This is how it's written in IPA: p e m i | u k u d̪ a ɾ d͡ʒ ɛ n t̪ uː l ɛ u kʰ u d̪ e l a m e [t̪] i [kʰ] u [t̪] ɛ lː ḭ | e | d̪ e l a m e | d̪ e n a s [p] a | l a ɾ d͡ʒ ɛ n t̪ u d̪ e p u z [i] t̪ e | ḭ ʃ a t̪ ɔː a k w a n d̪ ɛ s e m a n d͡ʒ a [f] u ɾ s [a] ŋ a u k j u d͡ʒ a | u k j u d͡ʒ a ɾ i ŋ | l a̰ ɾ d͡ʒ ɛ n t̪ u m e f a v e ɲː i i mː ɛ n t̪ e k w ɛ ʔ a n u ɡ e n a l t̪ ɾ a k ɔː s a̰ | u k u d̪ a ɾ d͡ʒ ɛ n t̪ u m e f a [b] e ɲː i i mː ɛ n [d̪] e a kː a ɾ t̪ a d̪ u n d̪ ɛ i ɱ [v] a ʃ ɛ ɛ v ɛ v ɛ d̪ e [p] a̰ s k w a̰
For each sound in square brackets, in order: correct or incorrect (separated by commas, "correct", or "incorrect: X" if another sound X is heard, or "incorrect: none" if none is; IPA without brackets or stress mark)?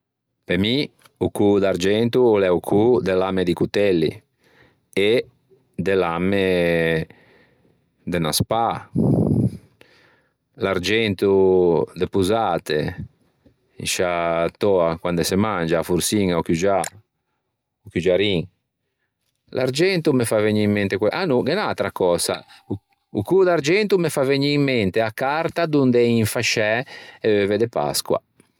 incorrect: d̪, incorrect: k, correct, correct, incorrect: a, correct, incorrect: i, incorrect: v, incorrect: t̪, incorrect: f, correct